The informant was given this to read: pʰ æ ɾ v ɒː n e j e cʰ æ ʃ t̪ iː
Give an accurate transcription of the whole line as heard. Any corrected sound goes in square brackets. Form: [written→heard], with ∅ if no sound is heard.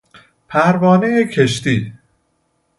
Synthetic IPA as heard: pʰ æ ɾ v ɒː n e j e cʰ [æ→e] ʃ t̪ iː